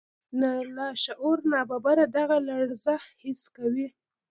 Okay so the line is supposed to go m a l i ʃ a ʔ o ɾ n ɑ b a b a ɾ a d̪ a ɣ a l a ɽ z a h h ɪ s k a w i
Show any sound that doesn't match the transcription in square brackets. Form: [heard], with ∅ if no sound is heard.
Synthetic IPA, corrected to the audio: [n] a l [a] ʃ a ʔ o ɾ n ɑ b a b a ɾ a d̪ a ɣ a l a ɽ z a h h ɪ s k a w i